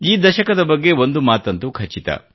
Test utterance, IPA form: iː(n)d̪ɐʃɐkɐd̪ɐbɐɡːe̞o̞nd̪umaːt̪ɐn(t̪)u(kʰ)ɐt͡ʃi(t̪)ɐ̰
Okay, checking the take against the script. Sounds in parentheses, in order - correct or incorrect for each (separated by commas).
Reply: incorrect, correct, correct, correct